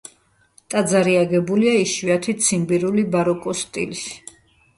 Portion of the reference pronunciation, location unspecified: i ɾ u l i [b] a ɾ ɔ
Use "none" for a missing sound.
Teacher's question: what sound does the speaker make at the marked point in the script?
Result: b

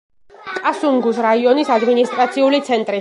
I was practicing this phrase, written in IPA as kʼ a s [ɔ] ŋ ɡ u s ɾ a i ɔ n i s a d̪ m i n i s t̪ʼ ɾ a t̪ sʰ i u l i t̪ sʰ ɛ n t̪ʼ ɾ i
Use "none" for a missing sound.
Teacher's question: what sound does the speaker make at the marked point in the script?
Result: u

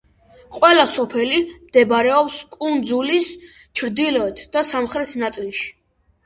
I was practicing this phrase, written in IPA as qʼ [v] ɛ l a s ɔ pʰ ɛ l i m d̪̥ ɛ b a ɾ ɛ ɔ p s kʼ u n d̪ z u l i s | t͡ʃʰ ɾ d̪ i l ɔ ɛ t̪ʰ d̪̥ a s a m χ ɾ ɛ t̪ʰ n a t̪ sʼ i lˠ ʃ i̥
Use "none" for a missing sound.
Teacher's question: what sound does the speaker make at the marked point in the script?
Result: w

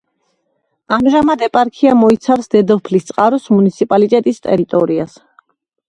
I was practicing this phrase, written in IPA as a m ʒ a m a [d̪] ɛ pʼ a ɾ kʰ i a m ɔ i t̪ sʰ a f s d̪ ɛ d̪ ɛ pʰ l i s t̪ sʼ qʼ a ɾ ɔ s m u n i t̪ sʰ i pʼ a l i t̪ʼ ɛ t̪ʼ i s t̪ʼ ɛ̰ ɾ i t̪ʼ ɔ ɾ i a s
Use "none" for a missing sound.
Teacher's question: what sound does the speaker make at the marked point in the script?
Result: d̪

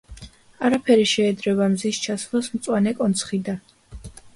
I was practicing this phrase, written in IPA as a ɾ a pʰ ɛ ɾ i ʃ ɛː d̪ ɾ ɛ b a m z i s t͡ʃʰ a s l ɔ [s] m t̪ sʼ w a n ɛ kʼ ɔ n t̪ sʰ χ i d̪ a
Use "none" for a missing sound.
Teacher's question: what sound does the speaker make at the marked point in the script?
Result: s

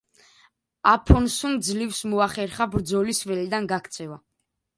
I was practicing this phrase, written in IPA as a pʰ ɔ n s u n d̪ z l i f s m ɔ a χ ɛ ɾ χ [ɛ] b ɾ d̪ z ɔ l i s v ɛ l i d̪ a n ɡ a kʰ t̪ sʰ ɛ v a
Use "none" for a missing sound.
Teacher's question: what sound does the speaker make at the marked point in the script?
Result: a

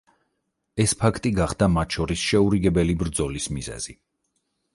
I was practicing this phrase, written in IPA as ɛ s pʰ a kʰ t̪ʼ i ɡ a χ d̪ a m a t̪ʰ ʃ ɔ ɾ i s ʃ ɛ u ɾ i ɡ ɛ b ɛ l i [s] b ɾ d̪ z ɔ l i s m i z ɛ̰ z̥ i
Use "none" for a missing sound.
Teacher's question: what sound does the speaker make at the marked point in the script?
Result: none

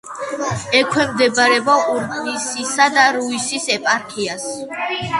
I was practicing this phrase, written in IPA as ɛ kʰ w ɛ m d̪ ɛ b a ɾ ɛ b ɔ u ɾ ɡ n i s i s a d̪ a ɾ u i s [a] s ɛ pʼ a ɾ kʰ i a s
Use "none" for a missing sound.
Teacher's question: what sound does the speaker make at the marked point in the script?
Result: i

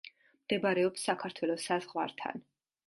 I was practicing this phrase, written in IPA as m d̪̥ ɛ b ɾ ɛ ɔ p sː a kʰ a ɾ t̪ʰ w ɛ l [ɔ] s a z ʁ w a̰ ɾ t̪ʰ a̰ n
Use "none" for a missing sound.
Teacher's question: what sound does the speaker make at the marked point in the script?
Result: ɔ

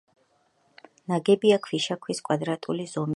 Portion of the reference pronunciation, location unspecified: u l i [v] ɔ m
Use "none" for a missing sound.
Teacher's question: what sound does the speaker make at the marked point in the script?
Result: z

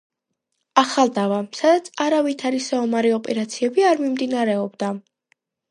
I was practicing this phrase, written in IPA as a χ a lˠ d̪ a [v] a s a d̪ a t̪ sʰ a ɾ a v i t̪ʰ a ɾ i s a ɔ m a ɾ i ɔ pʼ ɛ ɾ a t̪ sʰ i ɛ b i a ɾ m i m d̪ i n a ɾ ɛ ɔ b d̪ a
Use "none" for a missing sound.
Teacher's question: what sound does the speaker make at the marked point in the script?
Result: v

